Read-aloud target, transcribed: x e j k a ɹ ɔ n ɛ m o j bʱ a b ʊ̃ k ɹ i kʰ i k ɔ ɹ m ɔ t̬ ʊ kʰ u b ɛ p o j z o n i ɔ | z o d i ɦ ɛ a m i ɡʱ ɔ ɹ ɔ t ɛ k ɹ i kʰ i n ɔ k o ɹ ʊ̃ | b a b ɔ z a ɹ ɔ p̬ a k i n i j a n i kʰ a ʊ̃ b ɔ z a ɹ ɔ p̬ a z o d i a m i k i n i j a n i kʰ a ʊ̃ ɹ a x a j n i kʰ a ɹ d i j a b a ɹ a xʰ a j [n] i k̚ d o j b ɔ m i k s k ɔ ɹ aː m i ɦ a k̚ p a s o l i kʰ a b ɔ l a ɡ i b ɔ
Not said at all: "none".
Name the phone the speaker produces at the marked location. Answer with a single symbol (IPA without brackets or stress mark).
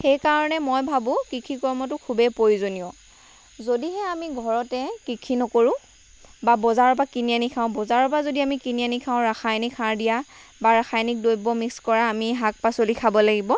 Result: n